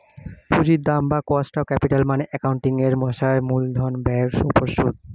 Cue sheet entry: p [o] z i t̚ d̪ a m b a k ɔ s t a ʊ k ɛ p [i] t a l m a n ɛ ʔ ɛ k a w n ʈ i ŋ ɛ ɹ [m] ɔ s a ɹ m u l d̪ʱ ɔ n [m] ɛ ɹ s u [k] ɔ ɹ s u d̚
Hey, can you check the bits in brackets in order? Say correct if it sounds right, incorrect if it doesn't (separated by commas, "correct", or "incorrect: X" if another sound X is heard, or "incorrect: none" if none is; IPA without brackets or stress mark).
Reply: incorrect: u, correct, correct, incorrect: b, incorrect: p